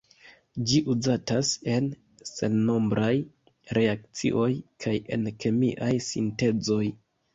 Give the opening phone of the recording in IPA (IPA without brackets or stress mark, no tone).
d͡ʒ